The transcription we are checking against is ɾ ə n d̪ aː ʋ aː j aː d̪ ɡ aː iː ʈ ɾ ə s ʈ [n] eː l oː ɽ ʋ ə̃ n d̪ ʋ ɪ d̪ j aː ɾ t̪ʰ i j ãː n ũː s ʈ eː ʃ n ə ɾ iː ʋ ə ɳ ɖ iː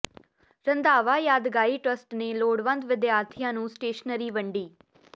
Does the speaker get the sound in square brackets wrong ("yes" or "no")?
no